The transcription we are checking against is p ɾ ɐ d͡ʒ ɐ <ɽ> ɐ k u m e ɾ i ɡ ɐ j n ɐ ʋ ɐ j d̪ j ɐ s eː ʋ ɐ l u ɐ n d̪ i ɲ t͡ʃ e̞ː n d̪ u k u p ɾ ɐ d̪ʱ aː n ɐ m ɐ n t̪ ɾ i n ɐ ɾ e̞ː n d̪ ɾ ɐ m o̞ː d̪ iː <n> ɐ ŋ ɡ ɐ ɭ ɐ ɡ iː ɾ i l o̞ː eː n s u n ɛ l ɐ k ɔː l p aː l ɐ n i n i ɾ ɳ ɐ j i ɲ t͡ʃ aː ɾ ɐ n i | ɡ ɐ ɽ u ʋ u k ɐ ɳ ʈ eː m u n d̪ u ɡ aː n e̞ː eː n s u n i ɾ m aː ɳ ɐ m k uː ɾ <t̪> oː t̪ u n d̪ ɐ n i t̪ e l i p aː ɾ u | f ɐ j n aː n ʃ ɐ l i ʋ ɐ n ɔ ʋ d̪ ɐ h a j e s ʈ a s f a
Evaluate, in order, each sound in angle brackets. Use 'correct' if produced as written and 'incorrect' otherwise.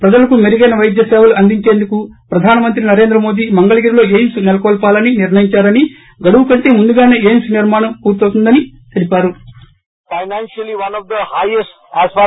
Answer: incorrect: l, incorrect: m, correct

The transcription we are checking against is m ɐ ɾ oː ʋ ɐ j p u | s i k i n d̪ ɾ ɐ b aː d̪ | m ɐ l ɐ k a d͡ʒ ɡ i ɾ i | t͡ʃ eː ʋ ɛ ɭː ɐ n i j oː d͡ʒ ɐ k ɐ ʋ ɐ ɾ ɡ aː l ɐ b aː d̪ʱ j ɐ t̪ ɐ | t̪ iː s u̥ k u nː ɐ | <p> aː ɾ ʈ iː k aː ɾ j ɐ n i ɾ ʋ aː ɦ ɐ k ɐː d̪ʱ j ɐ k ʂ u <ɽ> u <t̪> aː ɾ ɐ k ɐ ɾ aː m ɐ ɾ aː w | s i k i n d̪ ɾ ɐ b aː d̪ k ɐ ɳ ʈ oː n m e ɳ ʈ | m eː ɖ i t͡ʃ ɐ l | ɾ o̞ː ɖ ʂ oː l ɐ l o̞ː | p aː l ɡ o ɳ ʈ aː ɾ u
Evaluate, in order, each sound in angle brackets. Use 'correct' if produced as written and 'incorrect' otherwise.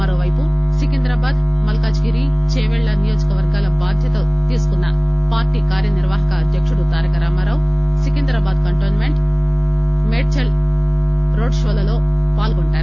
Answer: correct, correct, correct

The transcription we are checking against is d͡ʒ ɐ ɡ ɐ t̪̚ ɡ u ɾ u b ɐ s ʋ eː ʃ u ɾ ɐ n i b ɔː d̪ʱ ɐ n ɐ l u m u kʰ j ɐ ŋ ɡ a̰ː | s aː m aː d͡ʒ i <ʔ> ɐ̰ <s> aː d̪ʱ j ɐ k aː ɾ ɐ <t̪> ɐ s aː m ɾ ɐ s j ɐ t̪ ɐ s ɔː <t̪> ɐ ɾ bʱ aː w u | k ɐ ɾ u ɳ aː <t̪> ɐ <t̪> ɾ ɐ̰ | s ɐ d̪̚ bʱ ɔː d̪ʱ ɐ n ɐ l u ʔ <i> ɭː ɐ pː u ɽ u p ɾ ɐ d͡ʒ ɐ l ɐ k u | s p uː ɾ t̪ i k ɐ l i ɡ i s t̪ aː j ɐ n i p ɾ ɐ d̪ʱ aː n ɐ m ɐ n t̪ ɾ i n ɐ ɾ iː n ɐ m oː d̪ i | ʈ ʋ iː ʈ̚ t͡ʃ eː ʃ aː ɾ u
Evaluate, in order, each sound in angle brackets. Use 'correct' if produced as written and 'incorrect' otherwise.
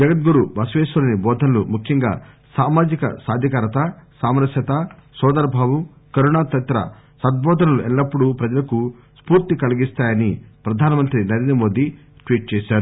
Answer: incorrect: k, correct, correct, incorrect: d̪, correct, correct, incorrect: ɛ

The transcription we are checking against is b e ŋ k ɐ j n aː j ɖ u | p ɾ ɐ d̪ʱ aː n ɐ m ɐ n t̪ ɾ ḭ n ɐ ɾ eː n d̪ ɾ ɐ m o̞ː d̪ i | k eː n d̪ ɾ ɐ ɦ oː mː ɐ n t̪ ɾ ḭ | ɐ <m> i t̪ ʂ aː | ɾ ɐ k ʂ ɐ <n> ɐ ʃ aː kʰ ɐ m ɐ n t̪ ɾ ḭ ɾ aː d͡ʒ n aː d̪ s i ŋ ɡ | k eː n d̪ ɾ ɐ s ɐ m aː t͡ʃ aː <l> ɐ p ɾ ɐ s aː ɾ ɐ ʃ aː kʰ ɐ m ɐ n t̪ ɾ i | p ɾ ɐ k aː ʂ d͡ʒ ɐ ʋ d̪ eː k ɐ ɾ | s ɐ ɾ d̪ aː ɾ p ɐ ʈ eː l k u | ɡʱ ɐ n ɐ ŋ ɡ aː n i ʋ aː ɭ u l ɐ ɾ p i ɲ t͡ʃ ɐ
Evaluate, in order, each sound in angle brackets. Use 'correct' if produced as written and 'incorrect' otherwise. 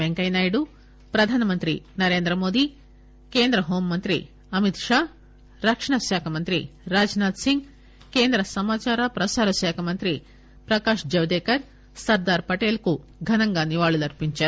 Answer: correct, incorrect: ɳ, incorrect: ɾ

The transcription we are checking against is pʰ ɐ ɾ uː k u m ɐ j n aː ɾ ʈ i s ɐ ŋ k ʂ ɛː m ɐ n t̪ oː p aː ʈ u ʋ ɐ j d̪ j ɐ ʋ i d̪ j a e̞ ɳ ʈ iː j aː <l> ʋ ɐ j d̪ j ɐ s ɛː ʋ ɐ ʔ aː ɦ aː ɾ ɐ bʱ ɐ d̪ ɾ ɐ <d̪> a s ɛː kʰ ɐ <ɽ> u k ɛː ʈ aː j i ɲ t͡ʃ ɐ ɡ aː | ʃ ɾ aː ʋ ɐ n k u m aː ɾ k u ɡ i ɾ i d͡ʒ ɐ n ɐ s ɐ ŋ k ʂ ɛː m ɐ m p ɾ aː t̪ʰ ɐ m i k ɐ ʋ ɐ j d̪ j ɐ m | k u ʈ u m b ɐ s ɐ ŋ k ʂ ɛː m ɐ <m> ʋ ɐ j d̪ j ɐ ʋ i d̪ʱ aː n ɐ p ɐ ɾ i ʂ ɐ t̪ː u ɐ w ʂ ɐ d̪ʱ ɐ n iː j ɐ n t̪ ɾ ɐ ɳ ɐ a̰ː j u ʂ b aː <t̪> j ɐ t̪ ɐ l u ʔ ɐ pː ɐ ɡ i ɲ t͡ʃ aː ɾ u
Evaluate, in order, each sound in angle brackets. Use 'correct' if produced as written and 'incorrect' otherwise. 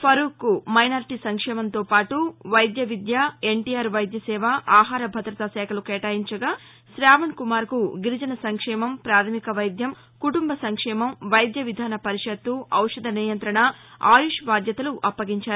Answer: incorrect: ɾ, incorrect: t̪, incorrect: l, correct, incorrect: d̪

